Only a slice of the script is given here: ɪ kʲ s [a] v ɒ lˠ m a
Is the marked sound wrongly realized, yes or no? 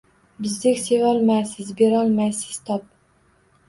yes